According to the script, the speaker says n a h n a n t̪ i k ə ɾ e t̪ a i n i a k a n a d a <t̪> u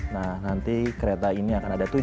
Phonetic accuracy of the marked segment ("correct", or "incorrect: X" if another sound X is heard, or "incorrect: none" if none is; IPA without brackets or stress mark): correct